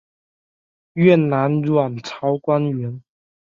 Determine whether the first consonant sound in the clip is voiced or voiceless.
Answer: voiced